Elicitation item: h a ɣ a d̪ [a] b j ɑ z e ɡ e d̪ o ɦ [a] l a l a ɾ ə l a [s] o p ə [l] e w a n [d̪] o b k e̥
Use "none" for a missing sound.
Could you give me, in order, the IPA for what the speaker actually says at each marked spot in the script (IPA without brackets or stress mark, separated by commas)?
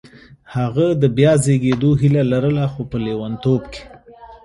ə, i, x, l, t̪